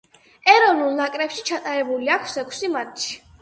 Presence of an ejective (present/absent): present